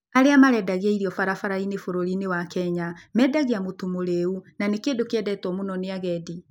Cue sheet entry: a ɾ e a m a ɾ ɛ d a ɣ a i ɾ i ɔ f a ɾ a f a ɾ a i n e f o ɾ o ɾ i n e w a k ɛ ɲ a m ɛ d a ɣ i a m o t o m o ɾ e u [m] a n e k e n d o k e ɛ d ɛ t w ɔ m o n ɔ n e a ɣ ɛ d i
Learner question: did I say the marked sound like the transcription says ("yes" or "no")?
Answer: no